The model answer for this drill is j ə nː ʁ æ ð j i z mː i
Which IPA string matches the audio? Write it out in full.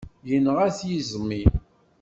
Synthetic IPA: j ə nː ʁ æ θ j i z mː i